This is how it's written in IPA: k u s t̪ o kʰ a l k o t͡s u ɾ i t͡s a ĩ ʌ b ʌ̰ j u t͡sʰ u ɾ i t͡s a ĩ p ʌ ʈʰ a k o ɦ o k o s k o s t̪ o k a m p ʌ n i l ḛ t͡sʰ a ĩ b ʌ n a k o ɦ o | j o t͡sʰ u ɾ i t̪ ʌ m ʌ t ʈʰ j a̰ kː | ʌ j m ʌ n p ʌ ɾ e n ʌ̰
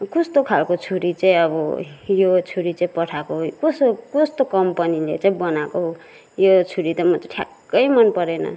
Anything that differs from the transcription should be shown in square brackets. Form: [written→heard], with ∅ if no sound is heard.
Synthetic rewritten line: k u s t̪ o kʰ a l k o [t͡s→t͡sʰ] u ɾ i t͡s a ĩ ʌ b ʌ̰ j [u→o] t͡sʰ u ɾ i t͡s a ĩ p ʌ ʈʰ a k o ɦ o k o s k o s t̪ o k [a→ʌ] m p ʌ n i l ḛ [t͡sʰ→t͡s] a ĩ b ʌ n a k o ɦ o | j o t͡sʰ u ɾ i t̪ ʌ m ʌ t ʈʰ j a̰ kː | ʌ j m ʌ n p ʌ ɾ e n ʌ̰